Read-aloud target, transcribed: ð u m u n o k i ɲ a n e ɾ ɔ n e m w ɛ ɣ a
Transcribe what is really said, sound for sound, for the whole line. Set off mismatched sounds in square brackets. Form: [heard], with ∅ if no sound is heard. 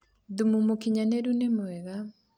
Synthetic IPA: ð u m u [m] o k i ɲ a n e ɾ [u] n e m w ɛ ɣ a